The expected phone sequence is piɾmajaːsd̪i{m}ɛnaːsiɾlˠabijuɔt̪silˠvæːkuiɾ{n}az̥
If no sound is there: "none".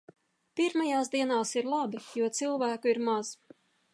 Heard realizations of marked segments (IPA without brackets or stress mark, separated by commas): none, m